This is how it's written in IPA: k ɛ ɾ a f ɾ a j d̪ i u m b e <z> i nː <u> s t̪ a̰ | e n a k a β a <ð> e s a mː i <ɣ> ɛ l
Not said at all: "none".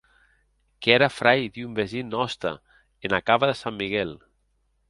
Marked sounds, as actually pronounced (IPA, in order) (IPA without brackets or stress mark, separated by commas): z, ɔ, ð, ɣ